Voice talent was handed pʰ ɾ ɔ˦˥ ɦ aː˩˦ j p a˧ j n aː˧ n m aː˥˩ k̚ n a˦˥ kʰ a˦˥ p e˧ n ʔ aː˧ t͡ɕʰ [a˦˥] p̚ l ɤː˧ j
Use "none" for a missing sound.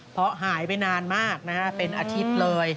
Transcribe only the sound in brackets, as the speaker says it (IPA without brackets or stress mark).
i˦˥